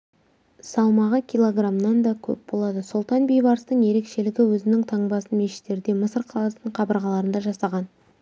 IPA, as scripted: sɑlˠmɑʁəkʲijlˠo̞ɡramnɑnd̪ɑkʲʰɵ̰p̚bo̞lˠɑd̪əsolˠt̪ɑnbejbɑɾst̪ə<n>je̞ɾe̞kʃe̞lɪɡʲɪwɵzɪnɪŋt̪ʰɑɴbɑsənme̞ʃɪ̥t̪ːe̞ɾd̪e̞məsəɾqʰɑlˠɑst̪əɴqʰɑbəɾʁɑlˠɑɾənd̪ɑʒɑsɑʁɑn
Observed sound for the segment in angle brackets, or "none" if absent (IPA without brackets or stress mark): ɴ